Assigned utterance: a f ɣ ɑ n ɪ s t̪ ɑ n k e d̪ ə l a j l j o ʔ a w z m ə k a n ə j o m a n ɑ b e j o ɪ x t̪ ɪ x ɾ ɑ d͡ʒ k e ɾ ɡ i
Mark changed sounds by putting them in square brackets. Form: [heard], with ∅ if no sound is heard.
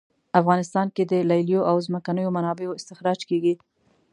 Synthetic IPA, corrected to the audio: a f ɣ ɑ n ɪ s t̪ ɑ n k e d̪ ə l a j l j o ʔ a w z m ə k a n ə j o m a n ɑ b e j o ɪ [s] t̪ ɪ x ɾ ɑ d͡ʒ k e [∅] ɡ i